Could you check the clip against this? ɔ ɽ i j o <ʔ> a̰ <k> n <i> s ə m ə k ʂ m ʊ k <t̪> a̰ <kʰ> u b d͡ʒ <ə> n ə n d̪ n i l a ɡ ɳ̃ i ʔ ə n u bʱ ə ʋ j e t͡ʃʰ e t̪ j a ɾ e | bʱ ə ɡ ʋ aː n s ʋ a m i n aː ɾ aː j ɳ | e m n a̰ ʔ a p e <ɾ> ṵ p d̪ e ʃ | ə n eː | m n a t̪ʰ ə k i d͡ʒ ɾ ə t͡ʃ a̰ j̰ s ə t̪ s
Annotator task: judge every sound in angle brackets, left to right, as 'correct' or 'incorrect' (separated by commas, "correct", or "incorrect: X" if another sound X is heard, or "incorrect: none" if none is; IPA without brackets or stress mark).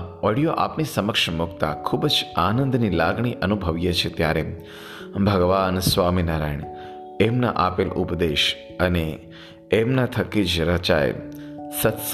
correct, incorrect: p, correct, correct, correct, incorrect: a, incorrect: l